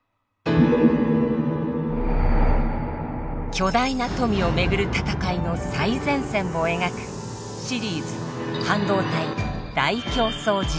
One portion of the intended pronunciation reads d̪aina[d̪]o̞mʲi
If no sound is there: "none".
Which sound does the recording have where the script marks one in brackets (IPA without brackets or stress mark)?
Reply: t̪